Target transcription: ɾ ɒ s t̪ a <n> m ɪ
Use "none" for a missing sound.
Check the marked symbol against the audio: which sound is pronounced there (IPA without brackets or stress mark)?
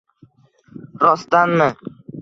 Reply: n